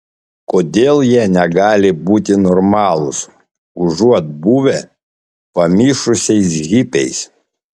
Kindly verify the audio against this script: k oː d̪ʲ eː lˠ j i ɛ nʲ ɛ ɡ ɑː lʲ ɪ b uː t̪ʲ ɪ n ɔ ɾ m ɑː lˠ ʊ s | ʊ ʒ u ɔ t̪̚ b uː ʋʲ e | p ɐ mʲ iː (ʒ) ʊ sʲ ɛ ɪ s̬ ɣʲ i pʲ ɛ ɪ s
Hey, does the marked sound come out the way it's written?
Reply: no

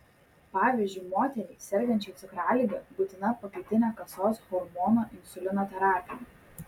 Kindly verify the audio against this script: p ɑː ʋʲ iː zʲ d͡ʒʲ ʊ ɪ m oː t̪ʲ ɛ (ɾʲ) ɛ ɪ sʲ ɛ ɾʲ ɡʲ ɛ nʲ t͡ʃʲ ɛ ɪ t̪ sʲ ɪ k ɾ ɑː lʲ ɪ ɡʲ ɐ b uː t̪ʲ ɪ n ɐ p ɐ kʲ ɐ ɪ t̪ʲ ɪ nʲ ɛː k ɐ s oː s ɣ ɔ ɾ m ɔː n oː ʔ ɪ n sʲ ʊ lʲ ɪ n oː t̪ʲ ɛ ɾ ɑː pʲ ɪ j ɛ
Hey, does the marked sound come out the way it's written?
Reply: yes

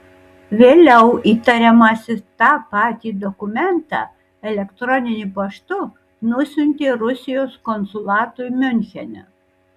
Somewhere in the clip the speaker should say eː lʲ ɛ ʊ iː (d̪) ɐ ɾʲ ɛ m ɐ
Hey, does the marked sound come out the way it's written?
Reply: no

